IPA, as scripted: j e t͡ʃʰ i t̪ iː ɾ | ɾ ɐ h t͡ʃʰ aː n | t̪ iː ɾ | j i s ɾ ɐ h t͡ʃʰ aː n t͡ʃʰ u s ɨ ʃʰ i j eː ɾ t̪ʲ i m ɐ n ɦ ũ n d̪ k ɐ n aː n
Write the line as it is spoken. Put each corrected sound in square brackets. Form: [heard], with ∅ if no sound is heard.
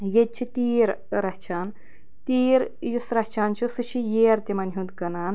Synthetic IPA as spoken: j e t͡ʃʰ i t̪ iː ɾ | ɾ ɐ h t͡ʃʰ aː n | t̪ iː ɾ | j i s ɾ ɐ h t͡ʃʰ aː n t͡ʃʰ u s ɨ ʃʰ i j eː ɾ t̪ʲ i m ɐ n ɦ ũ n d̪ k ɐ n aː n